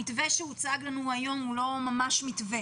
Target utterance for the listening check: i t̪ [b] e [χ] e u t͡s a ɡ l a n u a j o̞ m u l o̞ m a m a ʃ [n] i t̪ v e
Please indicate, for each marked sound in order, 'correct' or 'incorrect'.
incorrect: v, incorrect: ʃ, incorrect: m

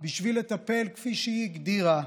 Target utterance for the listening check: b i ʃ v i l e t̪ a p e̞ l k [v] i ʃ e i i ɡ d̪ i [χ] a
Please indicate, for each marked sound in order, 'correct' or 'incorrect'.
incorrect: f, incorrect: ʁ

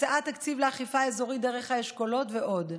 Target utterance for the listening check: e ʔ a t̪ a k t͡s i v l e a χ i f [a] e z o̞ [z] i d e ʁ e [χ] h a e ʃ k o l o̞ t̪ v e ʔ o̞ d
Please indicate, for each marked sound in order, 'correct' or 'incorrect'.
correct, incorrect: ʁ, correct

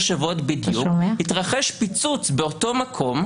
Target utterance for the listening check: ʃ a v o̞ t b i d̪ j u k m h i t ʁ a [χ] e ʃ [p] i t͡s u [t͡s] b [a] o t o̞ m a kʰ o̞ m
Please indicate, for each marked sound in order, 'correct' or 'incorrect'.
correct, correct, correct, incorrect: e

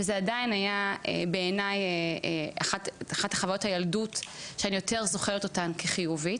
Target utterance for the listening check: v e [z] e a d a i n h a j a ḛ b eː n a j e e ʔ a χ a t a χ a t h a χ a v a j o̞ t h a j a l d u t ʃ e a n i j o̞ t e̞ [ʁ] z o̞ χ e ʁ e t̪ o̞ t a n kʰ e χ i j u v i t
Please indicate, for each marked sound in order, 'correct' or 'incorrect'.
correct, correct

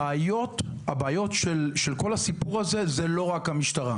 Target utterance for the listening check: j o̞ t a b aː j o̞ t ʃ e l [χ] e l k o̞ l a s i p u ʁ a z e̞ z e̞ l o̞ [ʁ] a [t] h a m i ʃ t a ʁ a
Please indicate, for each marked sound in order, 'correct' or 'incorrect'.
incorrect: ʃ, correct, incorrect: k

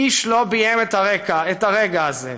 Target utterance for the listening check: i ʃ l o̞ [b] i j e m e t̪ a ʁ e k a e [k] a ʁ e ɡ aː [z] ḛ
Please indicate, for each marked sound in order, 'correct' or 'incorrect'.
correct, incorrect: t, correct

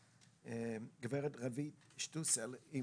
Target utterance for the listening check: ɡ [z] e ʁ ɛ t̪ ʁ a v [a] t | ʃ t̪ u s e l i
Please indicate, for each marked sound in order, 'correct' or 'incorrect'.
incorrect: v, incorrect: i

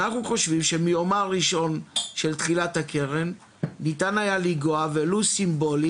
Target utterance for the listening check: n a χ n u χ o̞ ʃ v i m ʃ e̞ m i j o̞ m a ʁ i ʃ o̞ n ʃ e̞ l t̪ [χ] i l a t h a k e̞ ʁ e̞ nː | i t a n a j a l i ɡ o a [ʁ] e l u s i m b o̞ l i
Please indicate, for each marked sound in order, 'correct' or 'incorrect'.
correct, incorrect: v

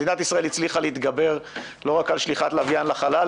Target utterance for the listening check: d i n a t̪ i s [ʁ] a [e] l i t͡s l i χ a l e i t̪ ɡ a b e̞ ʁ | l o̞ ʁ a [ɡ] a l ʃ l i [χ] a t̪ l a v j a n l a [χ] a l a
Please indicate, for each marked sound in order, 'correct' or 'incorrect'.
correct, correct, incorrect: k, correct, correct

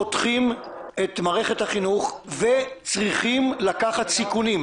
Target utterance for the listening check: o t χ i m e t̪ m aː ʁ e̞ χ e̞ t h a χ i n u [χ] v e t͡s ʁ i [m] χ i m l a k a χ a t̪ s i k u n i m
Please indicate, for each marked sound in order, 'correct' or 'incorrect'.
correct, incorrect: none

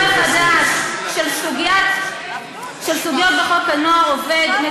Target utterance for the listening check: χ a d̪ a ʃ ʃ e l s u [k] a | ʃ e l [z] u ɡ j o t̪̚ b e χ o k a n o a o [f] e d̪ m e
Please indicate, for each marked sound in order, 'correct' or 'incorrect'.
incorrect: ɡ, incorrect: s, incorrect: v

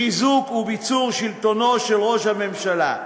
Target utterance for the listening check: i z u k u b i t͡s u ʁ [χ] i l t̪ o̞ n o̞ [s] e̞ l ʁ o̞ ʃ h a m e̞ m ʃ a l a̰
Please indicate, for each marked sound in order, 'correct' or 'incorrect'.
incorrect: ʃ, incorrect: ʃ

